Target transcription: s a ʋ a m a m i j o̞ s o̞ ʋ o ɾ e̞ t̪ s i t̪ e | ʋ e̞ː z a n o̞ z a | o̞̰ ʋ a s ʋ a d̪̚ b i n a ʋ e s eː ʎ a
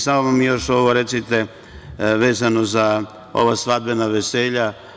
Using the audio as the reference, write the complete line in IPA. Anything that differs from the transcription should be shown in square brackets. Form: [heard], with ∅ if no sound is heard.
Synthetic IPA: s a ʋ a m a m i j o̞ [ʃ] o̞ ʋ o ɾ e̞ t̪ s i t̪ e | ʋ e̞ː z a n o̞ z a | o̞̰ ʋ a s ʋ a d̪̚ b [e] n a ʋ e s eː ʎ a